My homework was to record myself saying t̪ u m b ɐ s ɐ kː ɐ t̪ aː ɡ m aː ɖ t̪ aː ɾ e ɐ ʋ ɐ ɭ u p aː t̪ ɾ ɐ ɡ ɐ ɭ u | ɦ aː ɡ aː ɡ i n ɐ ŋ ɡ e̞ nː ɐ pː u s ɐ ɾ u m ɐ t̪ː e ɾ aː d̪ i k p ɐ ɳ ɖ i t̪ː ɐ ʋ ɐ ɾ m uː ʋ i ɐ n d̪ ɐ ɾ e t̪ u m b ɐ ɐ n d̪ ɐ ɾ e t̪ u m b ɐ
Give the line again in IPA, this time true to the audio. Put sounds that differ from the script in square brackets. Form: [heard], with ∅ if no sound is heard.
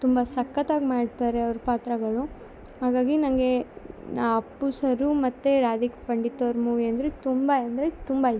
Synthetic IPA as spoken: t̪ u m b ɐ s ɐ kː ɐ t̪ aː ɡ m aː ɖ t̪ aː ɾ e ɐ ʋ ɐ [ɾ] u p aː t̪ ɾ ɐ ɡ ɐ ɭ u | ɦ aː ɡ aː ɡ i n ɐ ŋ ɡ e̞ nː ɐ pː u s ɐ ɾ u m ɐ t̪ː e ɾ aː d̪ i k p ɐ ɳ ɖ i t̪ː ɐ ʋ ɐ ɾ m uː ʋ i ɐ n d̪ ɐ ɾ e t̪ u m b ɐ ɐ n d̪ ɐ ɾ e t̪ u m b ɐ